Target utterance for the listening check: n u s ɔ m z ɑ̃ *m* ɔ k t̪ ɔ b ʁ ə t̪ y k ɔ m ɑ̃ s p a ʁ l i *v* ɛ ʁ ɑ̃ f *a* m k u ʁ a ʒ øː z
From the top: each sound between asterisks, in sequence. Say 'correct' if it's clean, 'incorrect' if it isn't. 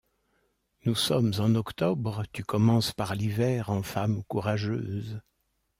incorrect: n, correct, correct

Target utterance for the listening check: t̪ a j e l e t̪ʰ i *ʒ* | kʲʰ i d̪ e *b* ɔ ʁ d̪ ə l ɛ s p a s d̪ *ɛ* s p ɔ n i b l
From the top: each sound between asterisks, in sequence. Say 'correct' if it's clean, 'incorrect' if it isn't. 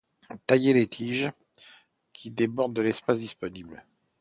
correct, correct, incorrect: i

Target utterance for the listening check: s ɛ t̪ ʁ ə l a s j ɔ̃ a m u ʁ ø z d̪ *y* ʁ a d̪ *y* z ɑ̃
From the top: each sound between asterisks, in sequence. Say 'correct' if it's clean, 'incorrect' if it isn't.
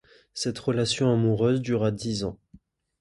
correct, incorrect: i

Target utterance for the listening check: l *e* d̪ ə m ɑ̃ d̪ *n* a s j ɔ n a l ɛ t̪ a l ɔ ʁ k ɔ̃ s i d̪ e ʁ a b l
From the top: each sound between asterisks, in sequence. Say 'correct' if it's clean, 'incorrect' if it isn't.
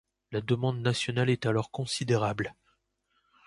incorrect: a, correct

